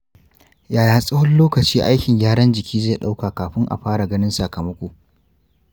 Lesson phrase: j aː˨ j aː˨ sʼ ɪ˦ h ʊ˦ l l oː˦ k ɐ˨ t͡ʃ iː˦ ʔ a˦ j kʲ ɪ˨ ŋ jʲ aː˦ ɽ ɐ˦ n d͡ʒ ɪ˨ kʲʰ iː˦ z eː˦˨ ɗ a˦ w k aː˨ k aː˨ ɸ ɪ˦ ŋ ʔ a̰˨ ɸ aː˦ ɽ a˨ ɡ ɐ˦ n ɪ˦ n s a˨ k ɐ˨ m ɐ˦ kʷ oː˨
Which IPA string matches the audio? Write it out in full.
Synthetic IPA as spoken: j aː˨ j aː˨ sʼ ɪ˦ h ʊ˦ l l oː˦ k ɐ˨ t͡ʃ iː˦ ʔ a˦ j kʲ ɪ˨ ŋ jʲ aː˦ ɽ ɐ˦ n d͡ʒ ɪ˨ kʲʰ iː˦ z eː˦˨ ɗ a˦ w k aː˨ k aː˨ ɸ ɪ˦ ŋ ʔ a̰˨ ɸ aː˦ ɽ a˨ ɡ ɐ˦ n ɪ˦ n s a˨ k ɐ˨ m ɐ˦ kʷ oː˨